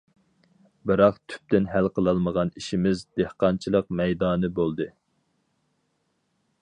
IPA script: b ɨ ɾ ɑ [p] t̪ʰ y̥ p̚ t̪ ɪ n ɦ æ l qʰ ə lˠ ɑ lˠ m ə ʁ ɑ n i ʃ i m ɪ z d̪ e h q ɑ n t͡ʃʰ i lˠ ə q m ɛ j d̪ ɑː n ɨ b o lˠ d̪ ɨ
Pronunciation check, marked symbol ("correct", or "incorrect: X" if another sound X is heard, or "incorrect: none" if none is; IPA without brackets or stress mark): incorrect: q